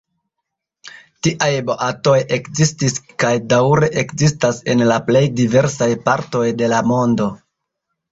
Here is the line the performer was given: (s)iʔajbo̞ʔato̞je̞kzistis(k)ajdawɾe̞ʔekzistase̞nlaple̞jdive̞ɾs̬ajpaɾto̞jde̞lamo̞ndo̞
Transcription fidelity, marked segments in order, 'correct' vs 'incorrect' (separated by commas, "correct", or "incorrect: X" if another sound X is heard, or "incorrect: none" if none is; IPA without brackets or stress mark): incorrect: t, correct